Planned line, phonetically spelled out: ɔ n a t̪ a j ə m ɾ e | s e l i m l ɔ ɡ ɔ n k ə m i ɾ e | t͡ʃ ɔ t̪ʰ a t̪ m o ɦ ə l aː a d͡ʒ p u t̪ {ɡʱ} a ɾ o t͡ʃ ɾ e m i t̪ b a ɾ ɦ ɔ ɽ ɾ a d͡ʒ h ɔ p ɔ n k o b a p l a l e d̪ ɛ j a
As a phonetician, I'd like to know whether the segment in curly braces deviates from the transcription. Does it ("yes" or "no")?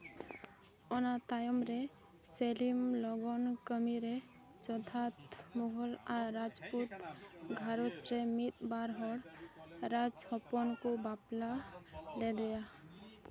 no